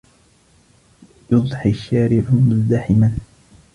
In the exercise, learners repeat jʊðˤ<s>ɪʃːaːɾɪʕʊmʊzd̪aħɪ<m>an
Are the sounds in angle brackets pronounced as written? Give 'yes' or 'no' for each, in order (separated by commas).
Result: no, yes